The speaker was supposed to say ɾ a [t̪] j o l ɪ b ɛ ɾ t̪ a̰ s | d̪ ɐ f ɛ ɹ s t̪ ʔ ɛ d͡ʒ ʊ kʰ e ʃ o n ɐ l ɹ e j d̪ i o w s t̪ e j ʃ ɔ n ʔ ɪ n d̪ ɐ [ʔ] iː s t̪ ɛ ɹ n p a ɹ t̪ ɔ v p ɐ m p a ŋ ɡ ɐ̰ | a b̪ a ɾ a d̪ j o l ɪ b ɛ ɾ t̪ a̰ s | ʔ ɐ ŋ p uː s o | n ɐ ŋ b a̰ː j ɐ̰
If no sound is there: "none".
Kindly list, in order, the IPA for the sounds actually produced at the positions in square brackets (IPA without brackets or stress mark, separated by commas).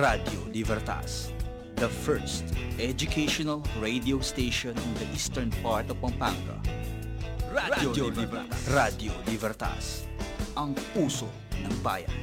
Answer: d̪, ʔ